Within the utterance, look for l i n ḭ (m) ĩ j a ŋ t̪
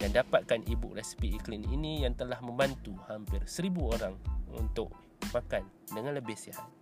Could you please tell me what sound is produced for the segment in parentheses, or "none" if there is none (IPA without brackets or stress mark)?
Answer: n